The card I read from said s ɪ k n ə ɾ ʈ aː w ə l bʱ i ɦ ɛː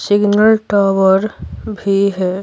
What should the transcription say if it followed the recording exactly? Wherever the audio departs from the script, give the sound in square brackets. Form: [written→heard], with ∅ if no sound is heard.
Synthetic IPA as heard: s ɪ [k→ɡ] n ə [ɾ→l] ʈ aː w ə [l→ɾ] bʱ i ɦ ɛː